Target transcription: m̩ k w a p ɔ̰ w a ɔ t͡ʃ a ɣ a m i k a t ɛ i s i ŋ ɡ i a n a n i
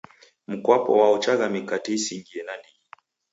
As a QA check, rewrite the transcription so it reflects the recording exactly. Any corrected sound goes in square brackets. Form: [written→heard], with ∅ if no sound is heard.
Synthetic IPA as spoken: m̩ k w a p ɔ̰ w a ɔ t͡ʃ a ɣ a m i k a t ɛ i s i ŋ ɡ i [a→ɛ] n a n i